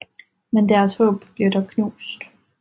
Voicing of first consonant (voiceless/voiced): voiced